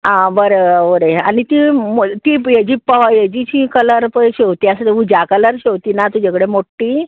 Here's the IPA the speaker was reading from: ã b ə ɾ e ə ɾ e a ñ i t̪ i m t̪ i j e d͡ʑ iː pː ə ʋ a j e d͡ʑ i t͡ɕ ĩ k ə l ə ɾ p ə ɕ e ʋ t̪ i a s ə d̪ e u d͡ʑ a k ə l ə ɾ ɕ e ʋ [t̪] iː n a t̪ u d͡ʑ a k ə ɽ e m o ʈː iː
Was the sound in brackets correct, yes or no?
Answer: yes